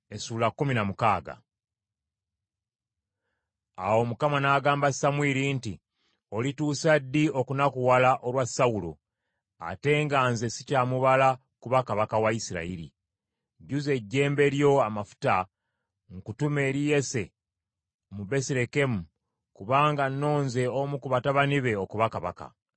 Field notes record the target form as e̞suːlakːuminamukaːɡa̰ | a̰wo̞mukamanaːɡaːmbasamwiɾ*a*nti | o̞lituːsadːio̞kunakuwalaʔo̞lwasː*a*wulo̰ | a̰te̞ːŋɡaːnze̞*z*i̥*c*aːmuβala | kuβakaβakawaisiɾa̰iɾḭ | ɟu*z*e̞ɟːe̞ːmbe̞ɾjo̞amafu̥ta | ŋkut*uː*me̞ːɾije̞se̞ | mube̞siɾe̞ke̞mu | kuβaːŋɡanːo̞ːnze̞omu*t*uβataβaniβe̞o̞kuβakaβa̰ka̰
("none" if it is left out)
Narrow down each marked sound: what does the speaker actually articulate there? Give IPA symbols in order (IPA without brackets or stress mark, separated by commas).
i, a, s, c, z, u, k